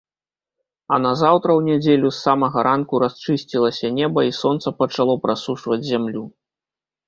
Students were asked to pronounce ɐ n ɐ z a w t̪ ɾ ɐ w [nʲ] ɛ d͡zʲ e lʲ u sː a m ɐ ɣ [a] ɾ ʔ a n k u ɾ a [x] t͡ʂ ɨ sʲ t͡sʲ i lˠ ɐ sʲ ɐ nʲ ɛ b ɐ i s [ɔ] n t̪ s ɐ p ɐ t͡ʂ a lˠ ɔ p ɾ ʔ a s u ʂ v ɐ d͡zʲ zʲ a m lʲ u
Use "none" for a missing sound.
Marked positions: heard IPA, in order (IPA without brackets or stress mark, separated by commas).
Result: nʲ, ɐ, s, ɔ